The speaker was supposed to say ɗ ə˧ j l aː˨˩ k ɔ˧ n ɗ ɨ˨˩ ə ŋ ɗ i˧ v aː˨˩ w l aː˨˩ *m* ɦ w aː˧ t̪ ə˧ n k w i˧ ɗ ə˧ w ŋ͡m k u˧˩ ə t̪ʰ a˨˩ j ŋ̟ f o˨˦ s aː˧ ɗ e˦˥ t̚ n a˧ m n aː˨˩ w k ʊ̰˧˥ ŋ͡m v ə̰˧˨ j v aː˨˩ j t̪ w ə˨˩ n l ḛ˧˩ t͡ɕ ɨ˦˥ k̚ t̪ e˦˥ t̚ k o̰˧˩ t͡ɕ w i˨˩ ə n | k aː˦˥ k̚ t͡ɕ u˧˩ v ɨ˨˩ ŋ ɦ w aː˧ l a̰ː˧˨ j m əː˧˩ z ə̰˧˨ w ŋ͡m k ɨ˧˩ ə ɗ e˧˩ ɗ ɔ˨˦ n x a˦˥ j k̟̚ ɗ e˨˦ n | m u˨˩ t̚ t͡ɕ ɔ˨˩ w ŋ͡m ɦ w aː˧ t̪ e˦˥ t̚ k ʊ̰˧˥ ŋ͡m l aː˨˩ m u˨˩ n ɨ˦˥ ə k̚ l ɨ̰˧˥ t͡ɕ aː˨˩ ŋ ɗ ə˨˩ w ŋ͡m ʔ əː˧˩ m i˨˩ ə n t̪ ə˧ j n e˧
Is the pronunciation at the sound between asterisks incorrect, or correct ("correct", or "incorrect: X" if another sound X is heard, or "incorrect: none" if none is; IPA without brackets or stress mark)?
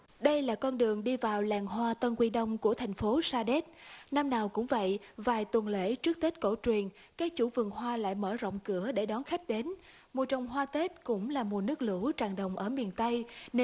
incorrect: ŋ